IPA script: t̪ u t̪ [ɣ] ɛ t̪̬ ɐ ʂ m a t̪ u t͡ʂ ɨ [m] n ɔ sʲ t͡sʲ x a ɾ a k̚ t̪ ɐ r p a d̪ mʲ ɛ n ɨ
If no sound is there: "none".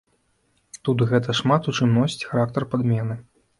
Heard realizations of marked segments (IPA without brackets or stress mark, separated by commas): ɣ, m